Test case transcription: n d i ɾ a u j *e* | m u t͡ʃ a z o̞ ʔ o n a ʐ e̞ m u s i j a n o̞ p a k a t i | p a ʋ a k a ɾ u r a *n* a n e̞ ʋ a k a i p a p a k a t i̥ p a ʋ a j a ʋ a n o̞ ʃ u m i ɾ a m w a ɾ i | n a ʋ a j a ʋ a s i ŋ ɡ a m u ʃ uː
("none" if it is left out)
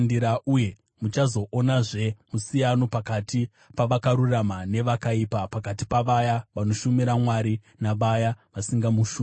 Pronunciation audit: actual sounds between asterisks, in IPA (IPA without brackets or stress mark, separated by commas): e, m